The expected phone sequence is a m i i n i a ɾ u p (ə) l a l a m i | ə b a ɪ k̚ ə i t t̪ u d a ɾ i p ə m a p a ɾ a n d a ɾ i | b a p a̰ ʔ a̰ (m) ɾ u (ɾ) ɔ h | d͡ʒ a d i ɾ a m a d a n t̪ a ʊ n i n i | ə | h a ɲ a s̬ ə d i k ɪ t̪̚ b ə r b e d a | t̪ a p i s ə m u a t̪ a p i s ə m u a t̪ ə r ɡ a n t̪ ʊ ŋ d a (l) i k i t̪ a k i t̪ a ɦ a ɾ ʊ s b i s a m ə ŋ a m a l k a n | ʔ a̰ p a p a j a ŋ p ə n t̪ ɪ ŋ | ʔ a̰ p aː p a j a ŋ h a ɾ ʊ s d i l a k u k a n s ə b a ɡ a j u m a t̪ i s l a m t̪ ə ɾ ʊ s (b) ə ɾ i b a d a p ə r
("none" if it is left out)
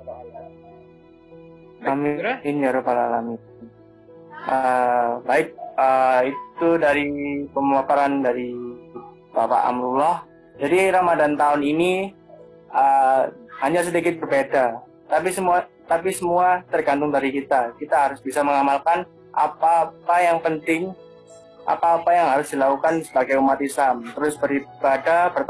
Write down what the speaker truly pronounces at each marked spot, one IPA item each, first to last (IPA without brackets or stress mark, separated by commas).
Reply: a, m, l, ɾ, b